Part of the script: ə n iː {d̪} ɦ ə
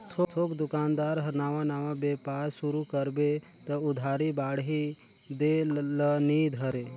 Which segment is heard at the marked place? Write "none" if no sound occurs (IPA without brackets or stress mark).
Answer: d̪